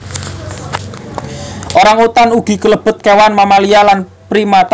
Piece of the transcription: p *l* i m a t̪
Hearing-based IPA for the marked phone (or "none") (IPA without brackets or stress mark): ɾ